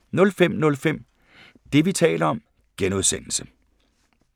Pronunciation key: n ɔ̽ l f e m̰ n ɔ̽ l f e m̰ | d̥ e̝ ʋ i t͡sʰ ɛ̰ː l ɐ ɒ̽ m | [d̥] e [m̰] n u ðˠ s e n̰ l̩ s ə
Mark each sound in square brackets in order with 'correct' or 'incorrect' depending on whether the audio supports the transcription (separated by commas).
incorrect, incorrect